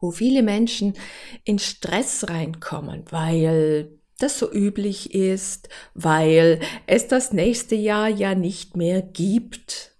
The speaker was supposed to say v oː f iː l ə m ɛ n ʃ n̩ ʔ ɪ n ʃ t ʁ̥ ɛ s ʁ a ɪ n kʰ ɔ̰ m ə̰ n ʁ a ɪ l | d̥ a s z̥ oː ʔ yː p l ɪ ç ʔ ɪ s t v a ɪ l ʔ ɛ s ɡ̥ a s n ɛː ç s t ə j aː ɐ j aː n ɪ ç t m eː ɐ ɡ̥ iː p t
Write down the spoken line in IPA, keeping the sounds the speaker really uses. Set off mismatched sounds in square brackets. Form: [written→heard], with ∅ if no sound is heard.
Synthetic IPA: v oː f iː l ə m ɛ n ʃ n̩ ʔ ɪ n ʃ t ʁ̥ ɛ s ʁ a ɪ n kʰ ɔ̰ m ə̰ n [ʁ→v] a ɪ l | d̥ a s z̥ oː ʔ yː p l ɪ ç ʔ ɪ s t v a ɪ l ʔ ɛ s [ɡ̥→d̥] a s n ɛː ç s t ə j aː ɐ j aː n ɪ ç t m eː ɐ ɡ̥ iː p t